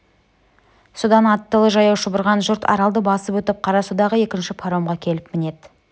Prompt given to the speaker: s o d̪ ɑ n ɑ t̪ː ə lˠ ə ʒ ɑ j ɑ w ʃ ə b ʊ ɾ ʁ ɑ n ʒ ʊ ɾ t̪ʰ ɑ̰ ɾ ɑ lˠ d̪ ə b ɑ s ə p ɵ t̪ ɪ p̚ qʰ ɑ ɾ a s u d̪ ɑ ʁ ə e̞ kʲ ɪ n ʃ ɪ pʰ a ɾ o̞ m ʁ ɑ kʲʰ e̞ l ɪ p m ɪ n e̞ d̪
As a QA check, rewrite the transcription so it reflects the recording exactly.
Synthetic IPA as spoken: s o d̪ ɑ n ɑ t̪ː ə lˠ ə ʒ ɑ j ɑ w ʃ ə b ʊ ɾ ʁ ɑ n ʒ ʊ ɾ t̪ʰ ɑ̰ ɾ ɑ lˠ d̪ ə b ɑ s ə p ɵ t̪ ɪ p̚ qʰ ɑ ɾ ɑ s u d̪ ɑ ʁ ə e̞ kʲ ɪ n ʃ ɪ pʰ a ɾ o̞ m ʁ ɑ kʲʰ e̞ l ɪ p m ɪ n e̞ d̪